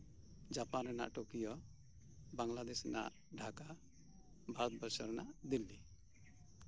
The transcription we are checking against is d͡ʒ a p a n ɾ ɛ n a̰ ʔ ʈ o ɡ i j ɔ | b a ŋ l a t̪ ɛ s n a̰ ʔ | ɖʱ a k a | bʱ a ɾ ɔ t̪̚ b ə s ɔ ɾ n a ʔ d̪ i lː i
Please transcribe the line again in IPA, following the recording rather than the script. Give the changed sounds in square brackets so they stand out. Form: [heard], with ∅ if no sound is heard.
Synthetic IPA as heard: d͡ʒ a p a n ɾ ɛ n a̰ ʔ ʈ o [k] i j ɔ | b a ŋ l a [d̪] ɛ s n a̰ ʔ | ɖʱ a k a | bʱ a ɾ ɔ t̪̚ b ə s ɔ ɾ n a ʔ d̪ i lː i